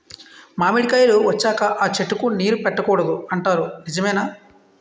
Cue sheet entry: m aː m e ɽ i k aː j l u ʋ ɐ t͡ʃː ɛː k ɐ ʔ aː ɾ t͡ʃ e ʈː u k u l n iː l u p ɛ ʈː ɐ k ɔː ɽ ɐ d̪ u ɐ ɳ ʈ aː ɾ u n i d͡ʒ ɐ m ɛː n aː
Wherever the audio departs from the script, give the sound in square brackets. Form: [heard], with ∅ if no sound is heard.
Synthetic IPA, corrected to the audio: m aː m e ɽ i k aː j l u ʋ ɐ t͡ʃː [aː] k ɐ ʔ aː [∅] t͡ʃ e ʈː u k u [∅] n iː [ɾ] u p ɛ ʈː ɐ k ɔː ɽ ɐ d̪ u ɐ ɳ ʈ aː ɾ u n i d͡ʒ ɐ m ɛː n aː